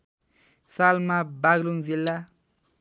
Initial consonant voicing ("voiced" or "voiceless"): voiceless